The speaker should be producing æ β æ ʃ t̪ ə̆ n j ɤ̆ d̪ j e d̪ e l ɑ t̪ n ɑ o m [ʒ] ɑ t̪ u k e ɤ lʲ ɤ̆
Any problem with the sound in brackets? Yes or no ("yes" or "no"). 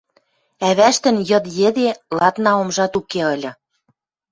no